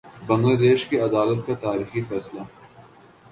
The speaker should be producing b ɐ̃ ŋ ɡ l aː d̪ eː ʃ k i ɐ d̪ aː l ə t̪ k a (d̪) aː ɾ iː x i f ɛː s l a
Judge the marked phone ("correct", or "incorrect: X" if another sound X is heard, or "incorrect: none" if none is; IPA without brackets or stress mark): incorrect: t̪